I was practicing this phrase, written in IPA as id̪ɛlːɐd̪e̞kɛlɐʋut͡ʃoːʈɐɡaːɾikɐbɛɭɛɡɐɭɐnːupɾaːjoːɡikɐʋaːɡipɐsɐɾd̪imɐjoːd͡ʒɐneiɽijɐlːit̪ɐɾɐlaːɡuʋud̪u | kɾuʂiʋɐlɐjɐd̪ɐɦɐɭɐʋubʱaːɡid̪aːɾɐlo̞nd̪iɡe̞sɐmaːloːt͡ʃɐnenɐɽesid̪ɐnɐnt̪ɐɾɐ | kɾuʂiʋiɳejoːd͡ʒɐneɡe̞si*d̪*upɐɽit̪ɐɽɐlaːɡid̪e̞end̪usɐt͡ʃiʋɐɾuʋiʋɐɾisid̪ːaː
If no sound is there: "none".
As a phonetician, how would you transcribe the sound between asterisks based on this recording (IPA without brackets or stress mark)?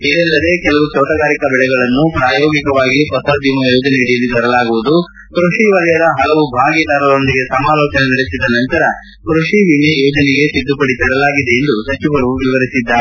d̪ː